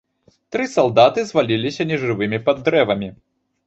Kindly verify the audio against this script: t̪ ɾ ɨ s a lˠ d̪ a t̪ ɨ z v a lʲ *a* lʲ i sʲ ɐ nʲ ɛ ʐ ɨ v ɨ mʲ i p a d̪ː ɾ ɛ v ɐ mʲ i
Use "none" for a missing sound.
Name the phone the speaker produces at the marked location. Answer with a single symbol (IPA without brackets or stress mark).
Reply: i